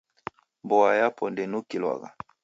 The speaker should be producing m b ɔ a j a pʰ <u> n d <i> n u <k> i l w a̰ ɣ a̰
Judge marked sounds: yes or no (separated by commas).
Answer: no, no, yes